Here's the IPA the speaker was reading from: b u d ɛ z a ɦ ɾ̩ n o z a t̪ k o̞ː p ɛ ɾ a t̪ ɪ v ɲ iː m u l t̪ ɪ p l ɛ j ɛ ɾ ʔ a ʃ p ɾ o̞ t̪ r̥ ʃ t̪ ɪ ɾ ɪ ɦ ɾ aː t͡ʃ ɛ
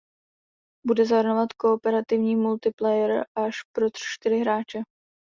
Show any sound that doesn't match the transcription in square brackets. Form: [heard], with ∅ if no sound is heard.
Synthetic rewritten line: b u d ɛ z a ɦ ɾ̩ n o [v] a t̪ k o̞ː p ɛ ɾ a t̪ ɪ v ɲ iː m u l t̪ ɪ p l ɛ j ɛ ɾ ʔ a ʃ p ɾ o̞ t̪ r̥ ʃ t̪ ɪ ɾ ɪ ɦ ɾ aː t͡ʃ ɛ